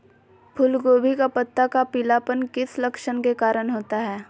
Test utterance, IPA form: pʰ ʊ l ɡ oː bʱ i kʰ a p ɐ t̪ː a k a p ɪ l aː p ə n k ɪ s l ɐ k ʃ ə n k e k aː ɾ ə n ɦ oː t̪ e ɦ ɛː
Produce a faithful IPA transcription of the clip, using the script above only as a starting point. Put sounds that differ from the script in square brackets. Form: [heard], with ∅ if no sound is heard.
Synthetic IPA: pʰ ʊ l ɡ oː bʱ i [k] a p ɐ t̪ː a k a p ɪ l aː p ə n k ɪ s l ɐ k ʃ ə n k e k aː ɾ ə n ɦ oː t̪ [a] ɦ ɛː